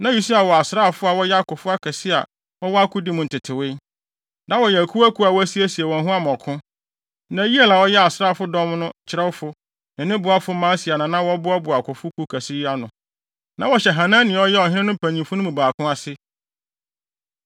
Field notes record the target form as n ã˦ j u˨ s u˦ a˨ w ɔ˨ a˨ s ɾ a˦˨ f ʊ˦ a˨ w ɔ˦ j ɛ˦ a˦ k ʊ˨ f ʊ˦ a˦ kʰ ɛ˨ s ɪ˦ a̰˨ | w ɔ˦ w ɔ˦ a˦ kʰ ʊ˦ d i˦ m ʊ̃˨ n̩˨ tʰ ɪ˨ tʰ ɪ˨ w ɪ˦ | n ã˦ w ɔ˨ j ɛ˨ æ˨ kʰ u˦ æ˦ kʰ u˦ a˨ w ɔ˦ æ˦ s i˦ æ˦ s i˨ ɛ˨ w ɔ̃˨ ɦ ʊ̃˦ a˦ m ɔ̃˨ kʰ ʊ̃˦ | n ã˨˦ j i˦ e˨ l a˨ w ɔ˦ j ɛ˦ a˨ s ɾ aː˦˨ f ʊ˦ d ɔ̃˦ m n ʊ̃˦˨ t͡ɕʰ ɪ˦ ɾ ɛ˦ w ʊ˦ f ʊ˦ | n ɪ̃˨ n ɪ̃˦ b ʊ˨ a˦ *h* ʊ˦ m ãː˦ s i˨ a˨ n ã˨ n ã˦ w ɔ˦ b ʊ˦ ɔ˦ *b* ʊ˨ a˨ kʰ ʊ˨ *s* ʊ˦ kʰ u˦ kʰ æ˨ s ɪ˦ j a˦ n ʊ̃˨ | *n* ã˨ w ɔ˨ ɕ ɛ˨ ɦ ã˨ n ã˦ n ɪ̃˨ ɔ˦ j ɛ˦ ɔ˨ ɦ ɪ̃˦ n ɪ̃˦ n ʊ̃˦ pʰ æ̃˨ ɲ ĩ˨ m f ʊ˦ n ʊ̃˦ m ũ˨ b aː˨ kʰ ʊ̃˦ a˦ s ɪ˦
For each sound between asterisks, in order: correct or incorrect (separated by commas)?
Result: incorrect, correct, incorrect, correct